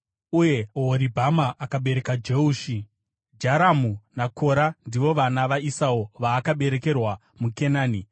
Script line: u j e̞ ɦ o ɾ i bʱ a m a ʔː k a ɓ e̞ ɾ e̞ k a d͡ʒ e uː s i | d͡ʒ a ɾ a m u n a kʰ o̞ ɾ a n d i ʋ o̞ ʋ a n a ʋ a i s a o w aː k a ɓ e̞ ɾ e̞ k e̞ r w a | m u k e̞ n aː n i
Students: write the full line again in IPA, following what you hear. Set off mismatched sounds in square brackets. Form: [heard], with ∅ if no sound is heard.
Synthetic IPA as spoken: u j e̞ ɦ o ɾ i bʱ a m a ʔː k a ɓ e̞ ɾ e̞ k a d͡ʒ e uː [ʃ] i | d͡ʒ a ɾ a m u n a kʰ o̞ ɾ a n d i ʋ o̞ ʋ a n a ʋ a i s a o [ʋ] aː k a ɓ e̞ ɾ e̞ k e̞ r w a | m u k e̞ n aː n i

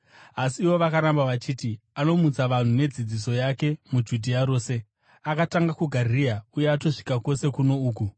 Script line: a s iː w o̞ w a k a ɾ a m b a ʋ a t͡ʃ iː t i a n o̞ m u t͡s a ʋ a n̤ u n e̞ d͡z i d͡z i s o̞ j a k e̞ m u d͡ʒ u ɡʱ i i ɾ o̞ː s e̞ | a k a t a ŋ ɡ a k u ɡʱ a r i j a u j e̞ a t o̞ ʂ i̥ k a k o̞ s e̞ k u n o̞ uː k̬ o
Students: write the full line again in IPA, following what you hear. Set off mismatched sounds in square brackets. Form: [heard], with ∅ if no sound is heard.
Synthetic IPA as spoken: a s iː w o̞ [ʋ] a k a ɾ a m b a ʋ a t͡ʃ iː t i a n o̞ m u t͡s a ʋ a n̤ u n e̞ d͡z i d͡z i s o̞ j a k e̞ m u d͡ʒ u [dʱ] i [a] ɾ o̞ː s e̞ | a k a t a ŋ ɡ a k u ɡʱ a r i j a u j e̞ a t o̞ ʂ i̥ k a k o̞ s e̞ k u n o̞ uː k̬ [u]

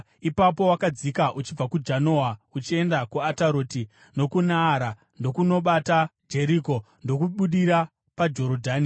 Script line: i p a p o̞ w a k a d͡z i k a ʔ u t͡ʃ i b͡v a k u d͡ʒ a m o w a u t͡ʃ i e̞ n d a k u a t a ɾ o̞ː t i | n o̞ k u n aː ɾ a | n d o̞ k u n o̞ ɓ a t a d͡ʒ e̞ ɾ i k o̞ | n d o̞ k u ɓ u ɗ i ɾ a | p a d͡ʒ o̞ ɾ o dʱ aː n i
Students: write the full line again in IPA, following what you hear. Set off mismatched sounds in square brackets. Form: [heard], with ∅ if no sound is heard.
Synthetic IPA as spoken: i p a p o̞ w a k a d͡z i k a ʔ u t͡ʃ i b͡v a k u d͡ʒ a [n] o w a u t͡ʃ i e̞ n d a k u a t a ɾ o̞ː t i | n o̞ k u n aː ɾ a | n d o̞ k u n o̞ ɓ a t a d͡ʒ e̞ ɾ i k o̞ | n d o̞ k u ɓ u ɗ i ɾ a | p a d͡ʒ o̞ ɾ o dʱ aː n i

